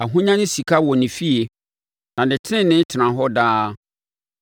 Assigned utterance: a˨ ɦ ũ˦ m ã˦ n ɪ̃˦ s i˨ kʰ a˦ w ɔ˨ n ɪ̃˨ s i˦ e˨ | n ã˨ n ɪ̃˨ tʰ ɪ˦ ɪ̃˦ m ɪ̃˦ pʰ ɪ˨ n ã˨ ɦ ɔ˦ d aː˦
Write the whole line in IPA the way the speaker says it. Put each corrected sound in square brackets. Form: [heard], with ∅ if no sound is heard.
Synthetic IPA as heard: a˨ ɦ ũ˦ [ɲ] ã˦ n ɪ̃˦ s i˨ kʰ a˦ w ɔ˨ n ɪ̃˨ [f] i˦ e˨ | n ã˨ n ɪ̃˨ tʰ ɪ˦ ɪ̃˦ [n] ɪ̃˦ [tʰ] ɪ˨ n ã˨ ɦ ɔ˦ d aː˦